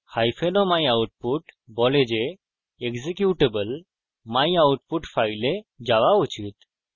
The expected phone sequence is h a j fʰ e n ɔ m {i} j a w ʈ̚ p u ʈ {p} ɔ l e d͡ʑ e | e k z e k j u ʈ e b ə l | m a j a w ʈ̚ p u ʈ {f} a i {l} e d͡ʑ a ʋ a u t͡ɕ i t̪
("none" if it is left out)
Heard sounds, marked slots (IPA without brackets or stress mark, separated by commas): a, b, f, l